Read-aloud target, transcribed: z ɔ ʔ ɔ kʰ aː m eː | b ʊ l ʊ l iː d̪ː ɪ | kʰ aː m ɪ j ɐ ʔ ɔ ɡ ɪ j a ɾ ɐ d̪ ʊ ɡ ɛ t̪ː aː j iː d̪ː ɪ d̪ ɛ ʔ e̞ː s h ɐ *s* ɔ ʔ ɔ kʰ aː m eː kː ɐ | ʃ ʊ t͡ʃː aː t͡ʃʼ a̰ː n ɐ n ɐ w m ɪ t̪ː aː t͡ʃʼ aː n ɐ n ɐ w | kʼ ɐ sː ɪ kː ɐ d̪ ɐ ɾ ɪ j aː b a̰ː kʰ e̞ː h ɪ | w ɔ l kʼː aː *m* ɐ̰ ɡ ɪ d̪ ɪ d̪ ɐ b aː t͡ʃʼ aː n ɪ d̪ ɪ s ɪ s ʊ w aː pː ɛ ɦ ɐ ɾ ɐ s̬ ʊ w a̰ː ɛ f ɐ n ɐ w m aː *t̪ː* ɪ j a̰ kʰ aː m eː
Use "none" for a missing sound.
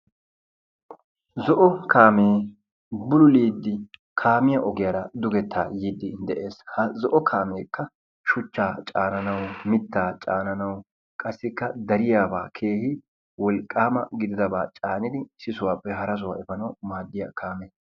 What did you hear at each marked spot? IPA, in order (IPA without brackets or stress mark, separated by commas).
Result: z, m, d̪ː